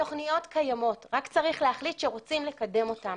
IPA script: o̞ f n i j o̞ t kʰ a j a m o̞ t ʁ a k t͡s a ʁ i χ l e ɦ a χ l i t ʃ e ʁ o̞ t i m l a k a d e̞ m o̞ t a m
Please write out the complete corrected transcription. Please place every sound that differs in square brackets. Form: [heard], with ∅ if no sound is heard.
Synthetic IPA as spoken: o̞ [χ] n i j o̞ t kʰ a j a m o̞ t ʁ a k t͡s a ʁ i χ l e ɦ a χ l i t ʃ e ʁ o̞ [t͡s] i m l [e] k a d e̞ m o̞ t a m